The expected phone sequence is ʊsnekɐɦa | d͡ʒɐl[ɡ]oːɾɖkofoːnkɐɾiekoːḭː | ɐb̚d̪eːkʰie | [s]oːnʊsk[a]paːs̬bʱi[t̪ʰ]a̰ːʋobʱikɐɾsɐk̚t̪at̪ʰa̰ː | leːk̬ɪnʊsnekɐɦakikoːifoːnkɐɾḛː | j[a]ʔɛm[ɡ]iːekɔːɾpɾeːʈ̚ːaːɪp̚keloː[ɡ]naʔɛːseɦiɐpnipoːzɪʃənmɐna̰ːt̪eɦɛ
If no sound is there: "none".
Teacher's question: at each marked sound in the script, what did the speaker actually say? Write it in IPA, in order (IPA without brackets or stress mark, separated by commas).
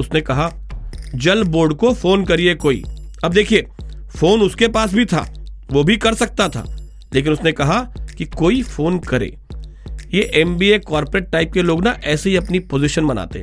b, f, e, t̪ʰ, e, b, ɡ